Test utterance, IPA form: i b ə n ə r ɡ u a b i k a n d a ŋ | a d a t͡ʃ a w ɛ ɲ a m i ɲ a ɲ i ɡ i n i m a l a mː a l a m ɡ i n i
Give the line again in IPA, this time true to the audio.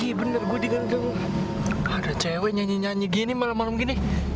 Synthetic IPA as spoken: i b ə n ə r ɡ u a d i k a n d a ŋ | a d a t͡ʃ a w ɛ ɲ a ɲ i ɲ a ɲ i ɡ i n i m a l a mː a l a m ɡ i n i